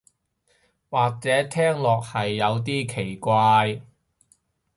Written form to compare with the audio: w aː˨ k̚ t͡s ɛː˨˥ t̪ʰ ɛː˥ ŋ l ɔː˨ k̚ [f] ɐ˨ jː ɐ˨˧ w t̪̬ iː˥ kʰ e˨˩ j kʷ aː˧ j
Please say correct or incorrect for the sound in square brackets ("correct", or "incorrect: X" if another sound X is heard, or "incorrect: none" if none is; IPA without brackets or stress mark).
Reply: incorrect: h